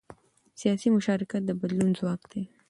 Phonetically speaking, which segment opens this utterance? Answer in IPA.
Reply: s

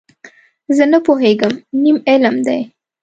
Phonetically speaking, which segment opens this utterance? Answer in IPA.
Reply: z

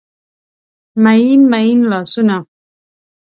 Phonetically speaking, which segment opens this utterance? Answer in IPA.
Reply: m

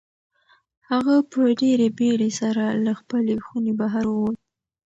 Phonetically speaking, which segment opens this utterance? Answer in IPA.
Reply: h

